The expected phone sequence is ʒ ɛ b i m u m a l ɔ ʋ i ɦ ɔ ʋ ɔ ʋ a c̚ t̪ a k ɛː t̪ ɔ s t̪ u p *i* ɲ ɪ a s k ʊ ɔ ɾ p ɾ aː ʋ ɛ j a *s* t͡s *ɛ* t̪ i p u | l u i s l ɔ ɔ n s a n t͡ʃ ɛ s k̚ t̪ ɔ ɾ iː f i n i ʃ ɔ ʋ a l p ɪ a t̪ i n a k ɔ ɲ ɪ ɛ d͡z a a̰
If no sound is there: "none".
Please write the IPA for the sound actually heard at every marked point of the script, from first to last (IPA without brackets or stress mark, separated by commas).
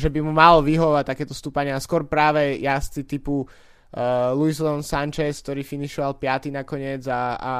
a, s, i